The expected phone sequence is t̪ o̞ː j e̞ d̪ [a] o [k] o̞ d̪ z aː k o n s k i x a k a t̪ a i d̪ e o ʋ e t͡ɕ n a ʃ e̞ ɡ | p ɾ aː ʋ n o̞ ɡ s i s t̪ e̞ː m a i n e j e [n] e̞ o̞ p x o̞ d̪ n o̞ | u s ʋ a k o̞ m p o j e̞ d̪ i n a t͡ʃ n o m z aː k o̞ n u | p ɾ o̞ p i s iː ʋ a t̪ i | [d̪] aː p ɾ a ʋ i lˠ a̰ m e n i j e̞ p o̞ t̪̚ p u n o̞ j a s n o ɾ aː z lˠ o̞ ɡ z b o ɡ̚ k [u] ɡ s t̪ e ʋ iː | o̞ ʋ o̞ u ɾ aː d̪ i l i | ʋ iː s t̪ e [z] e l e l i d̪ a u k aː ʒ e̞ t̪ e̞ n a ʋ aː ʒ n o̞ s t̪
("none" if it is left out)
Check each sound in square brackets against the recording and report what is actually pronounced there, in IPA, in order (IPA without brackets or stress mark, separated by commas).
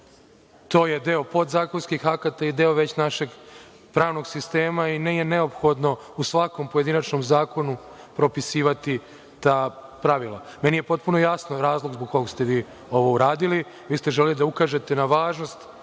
e, p, n, t̪, o, ʒ